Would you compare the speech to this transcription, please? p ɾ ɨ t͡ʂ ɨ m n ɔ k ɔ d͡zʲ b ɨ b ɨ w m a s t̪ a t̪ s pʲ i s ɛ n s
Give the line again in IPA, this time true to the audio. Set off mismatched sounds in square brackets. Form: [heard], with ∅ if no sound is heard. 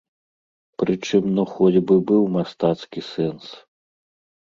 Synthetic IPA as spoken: p ɾ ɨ t͡ʂ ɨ m n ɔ [x] ɔ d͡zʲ b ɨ b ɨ w m a s t̪ a t̪ s [kʲ] i s ɛ n s